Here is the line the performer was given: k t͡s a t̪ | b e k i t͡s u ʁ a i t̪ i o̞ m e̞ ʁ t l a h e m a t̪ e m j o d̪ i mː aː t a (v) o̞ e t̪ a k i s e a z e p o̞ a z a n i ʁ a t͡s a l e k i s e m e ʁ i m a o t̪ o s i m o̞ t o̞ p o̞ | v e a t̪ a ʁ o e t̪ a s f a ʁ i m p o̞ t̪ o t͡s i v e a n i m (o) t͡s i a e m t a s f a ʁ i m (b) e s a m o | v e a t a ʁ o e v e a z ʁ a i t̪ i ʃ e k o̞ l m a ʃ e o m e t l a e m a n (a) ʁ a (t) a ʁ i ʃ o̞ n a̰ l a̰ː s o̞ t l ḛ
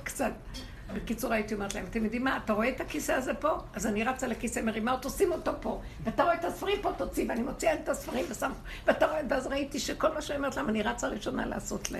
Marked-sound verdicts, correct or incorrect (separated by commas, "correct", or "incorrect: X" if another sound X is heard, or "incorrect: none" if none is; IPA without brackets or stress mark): incorrect: ʁ, correct, incorrect: v, incorrect: i, incorrect: t͡s